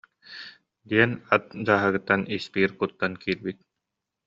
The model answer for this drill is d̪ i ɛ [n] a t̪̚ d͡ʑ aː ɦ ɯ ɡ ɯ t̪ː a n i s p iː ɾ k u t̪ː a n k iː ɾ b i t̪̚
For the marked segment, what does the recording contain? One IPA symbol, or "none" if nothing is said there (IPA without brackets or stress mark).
n